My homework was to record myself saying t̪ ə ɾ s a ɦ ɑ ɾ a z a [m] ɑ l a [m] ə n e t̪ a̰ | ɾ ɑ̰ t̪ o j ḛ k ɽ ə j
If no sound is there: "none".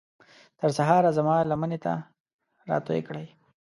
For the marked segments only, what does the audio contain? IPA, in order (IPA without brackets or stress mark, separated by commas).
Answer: m, m